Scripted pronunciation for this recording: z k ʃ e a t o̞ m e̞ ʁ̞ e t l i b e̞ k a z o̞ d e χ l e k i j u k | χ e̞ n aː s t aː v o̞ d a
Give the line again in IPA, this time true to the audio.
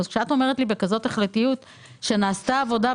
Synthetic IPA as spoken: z k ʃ e a t o̞ m e̞ ʁ̞ e t l i b e̞ k a z o̞ t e χ l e t i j u t | ʃ e̞ n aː s t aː v o̞ d a